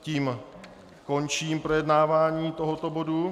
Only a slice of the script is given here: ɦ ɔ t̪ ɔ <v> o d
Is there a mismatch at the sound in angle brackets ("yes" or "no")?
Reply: yes